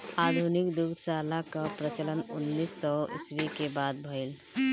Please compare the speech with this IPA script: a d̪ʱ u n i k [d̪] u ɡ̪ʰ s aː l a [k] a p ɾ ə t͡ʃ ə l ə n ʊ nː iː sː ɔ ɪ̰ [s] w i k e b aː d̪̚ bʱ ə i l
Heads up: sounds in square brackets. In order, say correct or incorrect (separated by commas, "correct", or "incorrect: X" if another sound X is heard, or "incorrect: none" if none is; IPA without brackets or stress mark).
correct, correct, correct